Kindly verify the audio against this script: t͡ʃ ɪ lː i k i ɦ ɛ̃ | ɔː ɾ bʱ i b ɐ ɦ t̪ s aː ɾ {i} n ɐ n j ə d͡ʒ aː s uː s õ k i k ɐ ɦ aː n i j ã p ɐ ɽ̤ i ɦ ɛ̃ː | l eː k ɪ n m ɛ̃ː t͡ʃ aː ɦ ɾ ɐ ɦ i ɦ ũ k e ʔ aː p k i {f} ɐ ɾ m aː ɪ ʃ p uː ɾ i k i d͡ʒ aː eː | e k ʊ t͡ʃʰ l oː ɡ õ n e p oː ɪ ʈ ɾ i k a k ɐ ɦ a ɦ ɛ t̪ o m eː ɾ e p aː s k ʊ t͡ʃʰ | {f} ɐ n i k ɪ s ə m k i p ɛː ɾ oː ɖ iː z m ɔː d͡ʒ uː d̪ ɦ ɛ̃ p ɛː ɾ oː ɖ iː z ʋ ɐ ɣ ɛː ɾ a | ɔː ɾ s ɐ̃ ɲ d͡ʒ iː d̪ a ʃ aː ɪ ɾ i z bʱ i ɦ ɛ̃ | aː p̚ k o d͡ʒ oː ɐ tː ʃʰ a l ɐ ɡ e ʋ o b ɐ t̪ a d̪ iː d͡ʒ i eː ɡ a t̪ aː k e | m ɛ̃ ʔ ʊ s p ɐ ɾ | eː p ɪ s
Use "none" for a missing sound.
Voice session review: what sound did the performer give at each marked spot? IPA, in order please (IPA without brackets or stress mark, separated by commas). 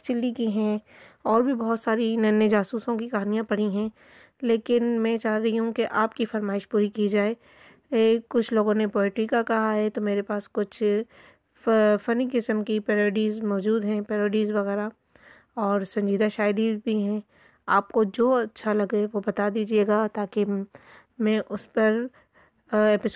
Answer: i, f, f